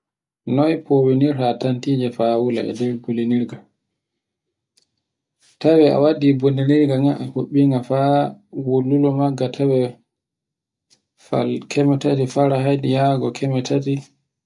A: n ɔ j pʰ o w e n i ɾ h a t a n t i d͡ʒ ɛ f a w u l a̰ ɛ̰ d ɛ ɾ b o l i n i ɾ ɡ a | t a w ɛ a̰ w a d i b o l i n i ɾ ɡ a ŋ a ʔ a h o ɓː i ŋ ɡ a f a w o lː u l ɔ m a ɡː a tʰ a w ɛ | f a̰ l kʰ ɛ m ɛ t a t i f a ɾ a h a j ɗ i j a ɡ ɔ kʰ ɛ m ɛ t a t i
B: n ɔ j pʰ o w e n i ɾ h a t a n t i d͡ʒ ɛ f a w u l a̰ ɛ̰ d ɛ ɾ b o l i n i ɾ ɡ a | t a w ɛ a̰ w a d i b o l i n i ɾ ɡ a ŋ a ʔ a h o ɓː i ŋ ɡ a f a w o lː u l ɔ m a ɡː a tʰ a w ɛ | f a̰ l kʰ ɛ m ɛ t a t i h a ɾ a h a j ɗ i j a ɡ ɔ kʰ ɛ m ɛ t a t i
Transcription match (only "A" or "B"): A